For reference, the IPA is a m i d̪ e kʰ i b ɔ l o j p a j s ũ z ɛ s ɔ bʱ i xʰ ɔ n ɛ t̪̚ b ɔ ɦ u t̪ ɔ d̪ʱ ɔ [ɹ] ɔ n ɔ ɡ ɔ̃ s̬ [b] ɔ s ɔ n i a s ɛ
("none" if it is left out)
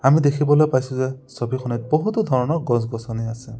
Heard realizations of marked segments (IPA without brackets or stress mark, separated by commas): ɹ, ɡ